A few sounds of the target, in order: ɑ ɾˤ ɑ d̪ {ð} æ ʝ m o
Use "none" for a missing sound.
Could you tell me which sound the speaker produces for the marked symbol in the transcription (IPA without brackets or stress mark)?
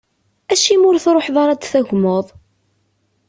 θ